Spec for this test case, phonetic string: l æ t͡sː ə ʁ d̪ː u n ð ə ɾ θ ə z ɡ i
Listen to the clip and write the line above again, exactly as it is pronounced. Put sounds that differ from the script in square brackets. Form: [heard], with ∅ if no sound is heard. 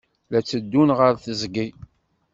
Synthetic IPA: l æ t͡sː ə [∅] d̪ː u n [ʁ] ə ɾ θ ə z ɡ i